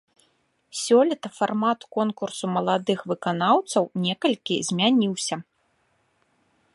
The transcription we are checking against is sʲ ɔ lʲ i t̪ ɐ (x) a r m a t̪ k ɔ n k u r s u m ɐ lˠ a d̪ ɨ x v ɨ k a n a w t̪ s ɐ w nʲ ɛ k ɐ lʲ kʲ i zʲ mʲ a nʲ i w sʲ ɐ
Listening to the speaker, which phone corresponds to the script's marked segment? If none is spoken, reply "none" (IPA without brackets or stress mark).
f